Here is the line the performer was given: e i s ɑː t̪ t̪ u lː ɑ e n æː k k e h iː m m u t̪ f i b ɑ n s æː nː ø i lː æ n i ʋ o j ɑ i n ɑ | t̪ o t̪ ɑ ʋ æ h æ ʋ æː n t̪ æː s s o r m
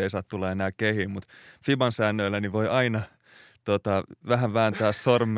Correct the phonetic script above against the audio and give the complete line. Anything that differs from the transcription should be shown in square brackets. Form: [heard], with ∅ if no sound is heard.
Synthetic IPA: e i s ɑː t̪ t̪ u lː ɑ e n æː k k e h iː m m u t̪ f i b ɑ n s æː nː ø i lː æ n i ʋ o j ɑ i n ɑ | t̪ o t̪ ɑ ʋ æ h æ ʋ æː n t̪ æː s s o r m